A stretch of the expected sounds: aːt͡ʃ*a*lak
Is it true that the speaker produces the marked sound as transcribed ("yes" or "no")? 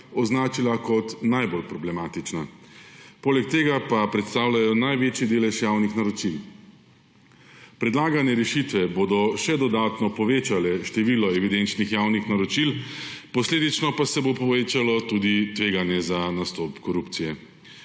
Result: no